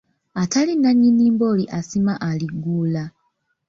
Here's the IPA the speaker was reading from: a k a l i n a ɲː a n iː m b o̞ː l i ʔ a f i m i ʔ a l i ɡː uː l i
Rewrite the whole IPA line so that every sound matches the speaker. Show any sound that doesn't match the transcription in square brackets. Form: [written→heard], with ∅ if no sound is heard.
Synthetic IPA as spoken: a [k→t] a l i n a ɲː [a→i] n iː m b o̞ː l i ʔ a [f→s] i m [i→a] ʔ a l i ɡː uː l [i→a]